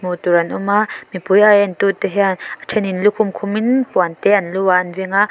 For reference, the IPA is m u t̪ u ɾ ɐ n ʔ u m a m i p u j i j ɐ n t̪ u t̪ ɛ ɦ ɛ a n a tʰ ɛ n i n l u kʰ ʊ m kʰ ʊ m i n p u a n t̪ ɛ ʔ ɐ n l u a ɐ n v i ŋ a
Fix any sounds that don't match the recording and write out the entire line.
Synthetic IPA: m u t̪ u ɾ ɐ n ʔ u m a m i p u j a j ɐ n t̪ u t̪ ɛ ɦ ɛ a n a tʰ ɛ n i n l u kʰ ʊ m kʰ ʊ m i n p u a n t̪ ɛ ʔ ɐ n l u a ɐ n v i ŋ a